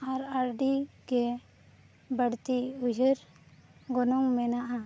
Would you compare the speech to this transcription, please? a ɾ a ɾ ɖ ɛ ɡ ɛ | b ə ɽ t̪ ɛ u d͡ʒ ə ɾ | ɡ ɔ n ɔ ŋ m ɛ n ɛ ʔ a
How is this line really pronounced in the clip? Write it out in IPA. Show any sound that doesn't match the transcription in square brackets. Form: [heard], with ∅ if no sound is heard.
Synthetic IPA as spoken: a ɾ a ɾ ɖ [i] ɡ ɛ | b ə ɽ t̪ [i] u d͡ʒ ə ɾ | ɡ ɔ n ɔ ŋ m ɛ n [a] ʔ a

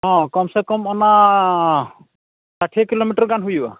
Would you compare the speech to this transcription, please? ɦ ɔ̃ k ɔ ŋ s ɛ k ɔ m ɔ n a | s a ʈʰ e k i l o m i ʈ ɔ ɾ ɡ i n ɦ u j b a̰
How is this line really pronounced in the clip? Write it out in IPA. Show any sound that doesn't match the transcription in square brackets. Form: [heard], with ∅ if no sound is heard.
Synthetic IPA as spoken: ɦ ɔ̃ k ɔ [m] s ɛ k ɔ m ɔ n a | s a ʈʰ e k i l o m i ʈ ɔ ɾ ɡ [a] n ɦ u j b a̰

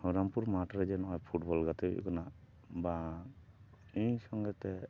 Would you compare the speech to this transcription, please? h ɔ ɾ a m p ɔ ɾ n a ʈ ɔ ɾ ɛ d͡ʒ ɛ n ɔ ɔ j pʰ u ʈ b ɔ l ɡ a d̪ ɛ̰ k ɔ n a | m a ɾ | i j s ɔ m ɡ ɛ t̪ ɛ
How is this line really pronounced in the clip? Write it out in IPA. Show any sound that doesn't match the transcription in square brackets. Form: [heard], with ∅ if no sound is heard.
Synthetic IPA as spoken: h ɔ ɾ a m p [u] ɾ [m] a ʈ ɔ ɾ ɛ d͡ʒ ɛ n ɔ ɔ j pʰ u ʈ b ɔ l ɡ a [t̪] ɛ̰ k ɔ n a | [b] a [∅] | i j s ɔ [ŋ] ɡ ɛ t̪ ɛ

